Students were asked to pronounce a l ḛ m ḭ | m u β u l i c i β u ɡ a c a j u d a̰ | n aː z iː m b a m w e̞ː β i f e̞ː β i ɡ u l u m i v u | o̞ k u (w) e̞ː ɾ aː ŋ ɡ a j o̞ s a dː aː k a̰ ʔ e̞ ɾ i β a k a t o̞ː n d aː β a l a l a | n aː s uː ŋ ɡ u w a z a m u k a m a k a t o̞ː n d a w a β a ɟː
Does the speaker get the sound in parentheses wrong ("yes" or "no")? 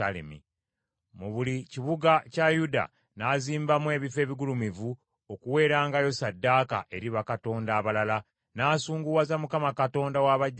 no